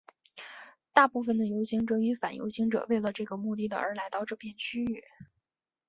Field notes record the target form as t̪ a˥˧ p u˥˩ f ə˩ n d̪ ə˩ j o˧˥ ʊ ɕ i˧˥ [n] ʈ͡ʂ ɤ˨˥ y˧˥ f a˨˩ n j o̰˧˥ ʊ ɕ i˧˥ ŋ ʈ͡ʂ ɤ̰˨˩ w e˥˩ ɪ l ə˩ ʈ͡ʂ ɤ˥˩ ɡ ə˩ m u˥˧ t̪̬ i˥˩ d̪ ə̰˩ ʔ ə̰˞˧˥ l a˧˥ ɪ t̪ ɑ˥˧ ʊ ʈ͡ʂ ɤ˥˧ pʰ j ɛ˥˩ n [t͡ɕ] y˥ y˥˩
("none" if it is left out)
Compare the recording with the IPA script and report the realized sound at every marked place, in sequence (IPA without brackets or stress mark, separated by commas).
ŋ, t͡ɕʰ